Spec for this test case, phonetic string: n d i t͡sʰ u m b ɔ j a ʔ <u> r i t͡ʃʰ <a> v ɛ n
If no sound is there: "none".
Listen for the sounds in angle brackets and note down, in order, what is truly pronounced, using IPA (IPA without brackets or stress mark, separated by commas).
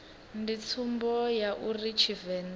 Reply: u, i